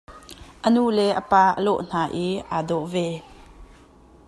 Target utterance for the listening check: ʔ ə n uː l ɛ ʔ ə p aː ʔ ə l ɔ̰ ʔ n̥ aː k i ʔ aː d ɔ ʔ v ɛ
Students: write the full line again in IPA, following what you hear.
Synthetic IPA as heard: ʔ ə n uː l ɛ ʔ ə p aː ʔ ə l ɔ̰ ʔ n̥ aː ʔ i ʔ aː d ɔ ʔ v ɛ